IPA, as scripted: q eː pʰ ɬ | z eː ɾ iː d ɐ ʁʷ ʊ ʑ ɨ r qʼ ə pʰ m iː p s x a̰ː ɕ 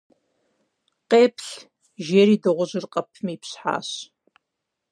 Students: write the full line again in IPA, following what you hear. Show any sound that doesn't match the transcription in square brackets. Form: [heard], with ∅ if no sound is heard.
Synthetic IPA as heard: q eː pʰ ɬ | [ʒ] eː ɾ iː d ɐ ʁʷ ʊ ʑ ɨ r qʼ [ɐ] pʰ m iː p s [ħ] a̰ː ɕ